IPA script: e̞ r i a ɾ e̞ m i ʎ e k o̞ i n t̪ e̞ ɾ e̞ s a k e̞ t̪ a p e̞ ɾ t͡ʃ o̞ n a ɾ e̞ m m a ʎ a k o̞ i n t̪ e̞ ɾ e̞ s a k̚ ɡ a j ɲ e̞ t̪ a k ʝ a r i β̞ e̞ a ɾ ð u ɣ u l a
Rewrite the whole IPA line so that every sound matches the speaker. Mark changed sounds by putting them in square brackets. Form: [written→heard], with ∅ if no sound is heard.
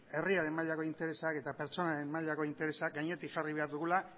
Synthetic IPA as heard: e̞ r i a ɾ e̞ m [i→a] ʎ [e→a] k o̞ i n t̪ e̞ ɾ e̞ s a k e̞ t̪ a p e̞ ɾ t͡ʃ o̞ n a ɾ e̞ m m a ʎ a k o̞ i n t̪ e̞ ɾ e̞ s a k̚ ɡ a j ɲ e̞ t̪ [a→i] k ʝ a r i β̞ e̞ a ɾ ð u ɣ u l a